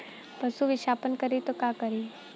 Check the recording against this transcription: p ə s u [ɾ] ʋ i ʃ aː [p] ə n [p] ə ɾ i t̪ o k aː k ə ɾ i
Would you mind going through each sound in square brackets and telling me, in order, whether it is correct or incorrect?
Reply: incorrect, correct, incorrect

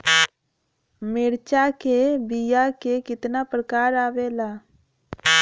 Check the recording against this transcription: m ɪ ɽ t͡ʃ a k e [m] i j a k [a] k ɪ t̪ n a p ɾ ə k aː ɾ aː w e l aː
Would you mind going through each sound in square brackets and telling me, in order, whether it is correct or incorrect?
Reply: incorrect, incorrect

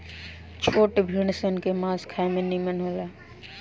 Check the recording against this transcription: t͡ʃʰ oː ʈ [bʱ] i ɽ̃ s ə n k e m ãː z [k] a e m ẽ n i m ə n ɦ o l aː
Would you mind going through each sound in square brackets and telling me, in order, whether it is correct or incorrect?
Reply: correct, incorrect

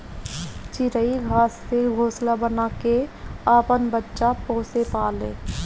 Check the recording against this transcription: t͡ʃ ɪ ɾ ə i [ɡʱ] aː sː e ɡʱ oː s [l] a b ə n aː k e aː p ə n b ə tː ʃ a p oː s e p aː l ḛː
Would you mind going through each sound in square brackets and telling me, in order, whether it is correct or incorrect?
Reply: correct, correct

